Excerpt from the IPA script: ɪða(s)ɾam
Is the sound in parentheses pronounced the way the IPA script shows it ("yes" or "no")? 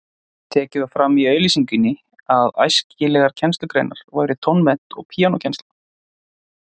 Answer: no